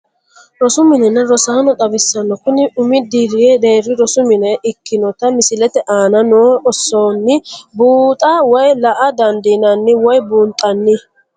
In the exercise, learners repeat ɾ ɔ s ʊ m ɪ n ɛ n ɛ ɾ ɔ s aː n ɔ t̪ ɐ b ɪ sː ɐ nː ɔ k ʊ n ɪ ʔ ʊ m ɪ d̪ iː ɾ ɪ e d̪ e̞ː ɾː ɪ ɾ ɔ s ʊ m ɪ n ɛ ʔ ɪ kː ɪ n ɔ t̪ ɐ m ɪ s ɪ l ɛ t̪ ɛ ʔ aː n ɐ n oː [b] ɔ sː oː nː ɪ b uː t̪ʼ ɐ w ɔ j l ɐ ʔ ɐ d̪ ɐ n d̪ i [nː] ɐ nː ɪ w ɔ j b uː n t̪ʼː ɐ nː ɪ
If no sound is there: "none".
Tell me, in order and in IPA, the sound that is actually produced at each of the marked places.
none, n

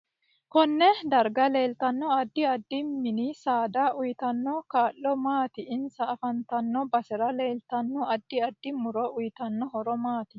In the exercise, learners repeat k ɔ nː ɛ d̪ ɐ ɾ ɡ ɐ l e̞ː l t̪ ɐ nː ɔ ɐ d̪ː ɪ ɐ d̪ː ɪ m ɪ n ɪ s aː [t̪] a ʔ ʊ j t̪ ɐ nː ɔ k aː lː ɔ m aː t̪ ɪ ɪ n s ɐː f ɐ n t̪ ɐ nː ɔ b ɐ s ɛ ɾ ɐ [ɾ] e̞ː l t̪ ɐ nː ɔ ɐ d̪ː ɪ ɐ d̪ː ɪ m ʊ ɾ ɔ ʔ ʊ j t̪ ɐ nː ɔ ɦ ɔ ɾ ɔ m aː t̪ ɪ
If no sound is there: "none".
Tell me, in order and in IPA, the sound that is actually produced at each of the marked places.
d̪, l

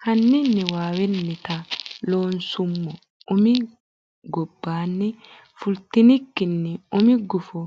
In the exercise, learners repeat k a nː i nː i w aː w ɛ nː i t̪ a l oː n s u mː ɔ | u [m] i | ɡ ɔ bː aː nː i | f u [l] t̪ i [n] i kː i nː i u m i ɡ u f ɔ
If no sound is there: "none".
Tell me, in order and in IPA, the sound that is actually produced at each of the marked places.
m, l, n

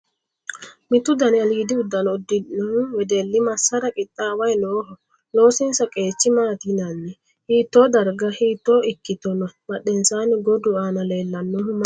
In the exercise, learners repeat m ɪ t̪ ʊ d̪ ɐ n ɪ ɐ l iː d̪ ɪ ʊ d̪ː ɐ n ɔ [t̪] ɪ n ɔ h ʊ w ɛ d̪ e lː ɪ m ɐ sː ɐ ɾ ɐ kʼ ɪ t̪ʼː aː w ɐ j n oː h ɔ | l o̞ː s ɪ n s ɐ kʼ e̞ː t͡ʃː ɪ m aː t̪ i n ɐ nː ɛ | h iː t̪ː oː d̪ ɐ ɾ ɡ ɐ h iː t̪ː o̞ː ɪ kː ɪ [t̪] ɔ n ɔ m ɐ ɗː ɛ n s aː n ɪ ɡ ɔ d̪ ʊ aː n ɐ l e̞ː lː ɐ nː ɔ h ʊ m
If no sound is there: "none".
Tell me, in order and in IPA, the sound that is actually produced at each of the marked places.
d̪, t̪

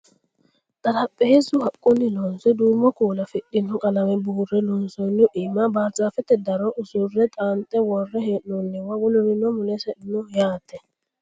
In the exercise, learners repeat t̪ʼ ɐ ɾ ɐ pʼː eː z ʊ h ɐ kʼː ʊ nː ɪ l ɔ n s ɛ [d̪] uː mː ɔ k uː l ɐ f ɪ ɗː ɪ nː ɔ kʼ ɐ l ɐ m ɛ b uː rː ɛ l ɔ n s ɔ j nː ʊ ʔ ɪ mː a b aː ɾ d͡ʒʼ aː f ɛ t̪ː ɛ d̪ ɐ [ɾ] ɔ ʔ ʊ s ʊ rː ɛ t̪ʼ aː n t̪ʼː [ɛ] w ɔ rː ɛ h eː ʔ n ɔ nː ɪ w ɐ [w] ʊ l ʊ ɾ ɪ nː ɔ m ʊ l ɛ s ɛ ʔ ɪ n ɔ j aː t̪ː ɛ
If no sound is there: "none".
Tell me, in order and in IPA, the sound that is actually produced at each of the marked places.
d̪, ɾ, ɛ, w

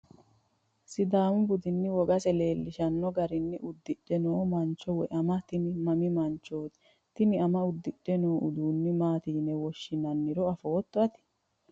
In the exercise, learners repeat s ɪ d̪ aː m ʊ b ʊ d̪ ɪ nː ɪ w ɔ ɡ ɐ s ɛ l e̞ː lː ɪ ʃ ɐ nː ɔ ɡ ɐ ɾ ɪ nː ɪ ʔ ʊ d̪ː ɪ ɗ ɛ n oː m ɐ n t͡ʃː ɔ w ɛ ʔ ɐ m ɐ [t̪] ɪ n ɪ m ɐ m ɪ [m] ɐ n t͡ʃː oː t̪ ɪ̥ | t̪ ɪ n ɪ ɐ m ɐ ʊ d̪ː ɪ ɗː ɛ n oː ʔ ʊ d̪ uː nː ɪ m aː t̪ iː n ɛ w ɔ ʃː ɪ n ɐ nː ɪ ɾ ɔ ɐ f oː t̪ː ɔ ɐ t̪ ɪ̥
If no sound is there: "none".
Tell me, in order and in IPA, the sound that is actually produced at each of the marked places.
t̪, m

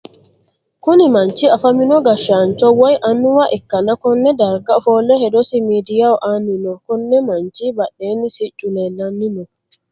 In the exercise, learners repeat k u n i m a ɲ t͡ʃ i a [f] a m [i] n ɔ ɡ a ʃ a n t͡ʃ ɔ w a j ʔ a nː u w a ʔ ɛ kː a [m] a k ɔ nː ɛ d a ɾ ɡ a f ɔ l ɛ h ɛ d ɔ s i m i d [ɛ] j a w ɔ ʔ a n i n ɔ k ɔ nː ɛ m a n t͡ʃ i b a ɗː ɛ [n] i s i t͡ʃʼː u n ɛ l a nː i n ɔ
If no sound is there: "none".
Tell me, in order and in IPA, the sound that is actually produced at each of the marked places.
f, i, n, i, n

